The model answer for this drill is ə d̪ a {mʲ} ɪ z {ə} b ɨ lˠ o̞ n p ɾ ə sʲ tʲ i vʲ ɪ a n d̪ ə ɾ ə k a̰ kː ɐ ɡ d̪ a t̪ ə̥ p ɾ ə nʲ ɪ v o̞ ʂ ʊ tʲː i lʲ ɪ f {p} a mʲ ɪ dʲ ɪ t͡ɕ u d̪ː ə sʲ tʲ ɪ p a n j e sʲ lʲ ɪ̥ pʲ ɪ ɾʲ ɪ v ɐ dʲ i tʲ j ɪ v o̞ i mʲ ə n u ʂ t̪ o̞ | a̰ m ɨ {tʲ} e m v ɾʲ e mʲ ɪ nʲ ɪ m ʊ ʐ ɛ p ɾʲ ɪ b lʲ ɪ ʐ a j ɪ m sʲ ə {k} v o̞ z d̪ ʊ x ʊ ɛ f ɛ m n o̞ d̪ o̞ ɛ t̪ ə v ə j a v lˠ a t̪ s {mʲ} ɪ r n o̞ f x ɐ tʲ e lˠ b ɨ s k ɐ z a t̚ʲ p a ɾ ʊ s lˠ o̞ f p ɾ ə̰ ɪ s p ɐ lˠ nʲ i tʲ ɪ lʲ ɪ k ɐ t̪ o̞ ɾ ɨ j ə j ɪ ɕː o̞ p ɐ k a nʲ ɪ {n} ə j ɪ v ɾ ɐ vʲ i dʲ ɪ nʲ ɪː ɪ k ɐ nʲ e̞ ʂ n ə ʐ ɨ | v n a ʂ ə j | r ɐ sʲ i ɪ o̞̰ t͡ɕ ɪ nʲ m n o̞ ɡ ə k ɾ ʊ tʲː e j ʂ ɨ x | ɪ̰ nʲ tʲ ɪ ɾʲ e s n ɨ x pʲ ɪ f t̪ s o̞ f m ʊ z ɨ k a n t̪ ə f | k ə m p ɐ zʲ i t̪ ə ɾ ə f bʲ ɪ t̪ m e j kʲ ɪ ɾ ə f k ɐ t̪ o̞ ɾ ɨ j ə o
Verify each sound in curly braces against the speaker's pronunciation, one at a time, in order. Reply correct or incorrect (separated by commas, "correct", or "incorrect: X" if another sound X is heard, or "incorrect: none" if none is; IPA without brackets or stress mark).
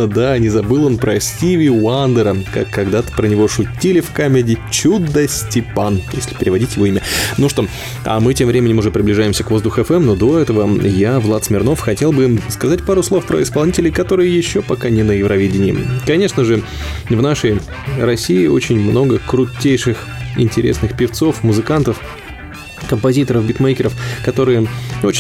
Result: incorrect: nʲ, incorrect: ɐ, incorrect: k, correct, correct, correct, correct